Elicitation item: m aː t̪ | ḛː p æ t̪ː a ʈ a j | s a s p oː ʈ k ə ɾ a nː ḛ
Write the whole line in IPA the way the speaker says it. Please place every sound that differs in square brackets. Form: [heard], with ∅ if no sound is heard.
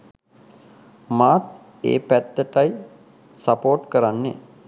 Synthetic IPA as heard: m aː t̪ | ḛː p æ t̪ː [ə] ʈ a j | s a [∅] p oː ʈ k ə ɾ a nː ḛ